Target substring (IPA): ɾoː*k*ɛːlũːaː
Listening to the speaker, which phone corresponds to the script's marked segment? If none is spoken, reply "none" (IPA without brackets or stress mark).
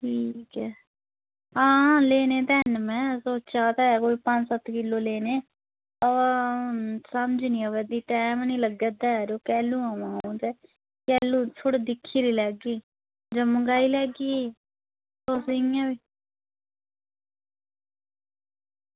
k